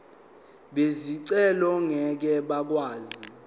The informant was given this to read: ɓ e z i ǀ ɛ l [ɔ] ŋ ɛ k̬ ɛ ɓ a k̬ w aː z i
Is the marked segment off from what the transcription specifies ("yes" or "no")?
no